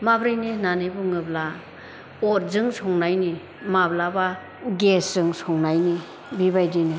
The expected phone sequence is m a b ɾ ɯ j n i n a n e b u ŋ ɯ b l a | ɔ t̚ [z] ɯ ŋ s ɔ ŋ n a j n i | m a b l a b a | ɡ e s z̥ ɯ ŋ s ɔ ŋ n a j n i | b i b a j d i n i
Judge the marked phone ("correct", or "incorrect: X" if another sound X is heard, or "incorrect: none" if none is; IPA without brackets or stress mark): correct